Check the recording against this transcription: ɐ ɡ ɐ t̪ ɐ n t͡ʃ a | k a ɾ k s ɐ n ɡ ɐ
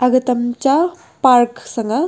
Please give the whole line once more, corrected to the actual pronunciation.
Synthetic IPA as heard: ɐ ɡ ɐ t̪ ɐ m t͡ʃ a | p a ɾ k s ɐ ŋ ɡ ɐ